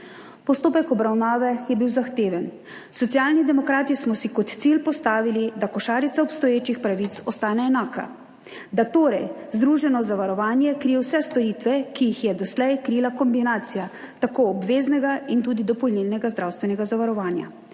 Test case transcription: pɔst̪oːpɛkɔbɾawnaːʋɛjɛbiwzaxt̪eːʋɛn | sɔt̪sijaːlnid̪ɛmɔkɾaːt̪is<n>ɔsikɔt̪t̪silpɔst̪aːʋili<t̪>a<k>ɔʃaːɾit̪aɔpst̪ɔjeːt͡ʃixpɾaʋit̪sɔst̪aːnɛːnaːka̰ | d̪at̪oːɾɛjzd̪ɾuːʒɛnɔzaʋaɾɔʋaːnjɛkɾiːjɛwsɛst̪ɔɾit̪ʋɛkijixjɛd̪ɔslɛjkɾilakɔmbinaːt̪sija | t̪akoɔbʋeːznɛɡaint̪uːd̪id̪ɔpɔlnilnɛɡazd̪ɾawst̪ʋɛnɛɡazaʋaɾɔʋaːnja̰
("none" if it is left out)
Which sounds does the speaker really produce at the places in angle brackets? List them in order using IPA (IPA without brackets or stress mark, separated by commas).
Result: m, d̪, k